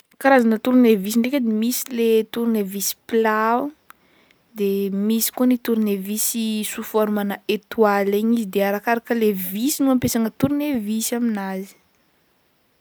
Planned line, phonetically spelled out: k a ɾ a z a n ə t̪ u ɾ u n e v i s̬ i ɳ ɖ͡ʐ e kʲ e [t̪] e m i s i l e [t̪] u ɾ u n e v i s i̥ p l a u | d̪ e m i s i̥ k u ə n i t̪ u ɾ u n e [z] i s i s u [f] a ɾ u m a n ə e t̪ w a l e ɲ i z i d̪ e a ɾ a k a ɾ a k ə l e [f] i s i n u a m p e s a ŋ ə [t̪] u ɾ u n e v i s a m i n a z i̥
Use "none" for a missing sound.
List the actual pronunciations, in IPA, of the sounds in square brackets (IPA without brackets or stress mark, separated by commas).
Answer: d̪, t̪, v, f, v, t̪